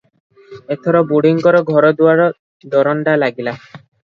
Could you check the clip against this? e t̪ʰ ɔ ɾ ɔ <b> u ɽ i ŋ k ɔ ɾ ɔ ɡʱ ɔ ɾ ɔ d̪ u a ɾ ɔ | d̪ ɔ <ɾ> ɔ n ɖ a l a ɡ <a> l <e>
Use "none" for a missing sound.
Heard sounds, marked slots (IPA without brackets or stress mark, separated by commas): b, ɾ, i, a